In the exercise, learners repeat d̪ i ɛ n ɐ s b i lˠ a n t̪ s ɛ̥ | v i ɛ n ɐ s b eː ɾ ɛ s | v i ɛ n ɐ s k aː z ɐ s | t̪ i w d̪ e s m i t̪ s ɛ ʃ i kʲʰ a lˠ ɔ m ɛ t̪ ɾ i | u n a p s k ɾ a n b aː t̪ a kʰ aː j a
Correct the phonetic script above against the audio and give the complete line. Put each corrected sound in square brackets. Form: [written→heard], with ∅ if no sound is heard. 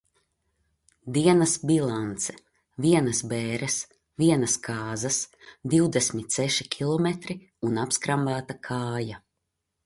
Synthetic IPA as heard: d̪ i ɛ n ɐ s b i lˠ a n t̪ s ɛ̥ | v i ɛ n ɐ s b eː ɾ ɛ s | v i ɛ n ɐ s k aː z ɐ s | [t̪→d̪] i w d̪ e s m i t̪ s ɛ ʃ i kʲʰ [a→i] lˠ ɔ m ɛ t̪ ɾ i | u n a p s k ɾ a [n→m] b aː t̪ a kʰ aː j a